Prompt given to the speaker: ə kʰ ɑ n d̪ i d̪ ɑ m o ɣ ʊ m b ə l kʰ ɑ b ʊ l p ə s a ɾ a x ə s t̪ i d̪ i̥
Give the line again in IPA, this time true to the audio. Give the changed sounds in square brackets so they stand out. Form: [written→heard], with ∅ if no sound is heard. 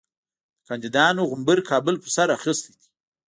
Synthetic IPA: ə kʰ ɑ n d̪ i d̪ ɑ [m→n] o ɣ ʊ m b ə [l→ɾ] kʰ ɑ b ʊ l p ə s a ɾ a x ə s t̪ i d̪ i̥